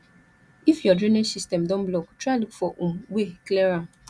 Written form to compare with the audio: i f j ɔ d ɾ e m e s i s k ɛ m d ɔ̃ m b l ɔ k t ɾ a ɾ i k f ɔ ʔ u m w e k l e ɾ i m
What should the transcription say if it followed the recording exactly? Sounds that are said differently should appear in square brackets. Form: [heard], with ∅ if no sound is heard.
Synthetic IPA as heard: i f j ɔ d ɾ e [n] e s i s [t] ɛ m d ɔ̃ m b l ɔ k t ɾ a [l] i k f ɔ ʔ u m w e k l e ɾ [a] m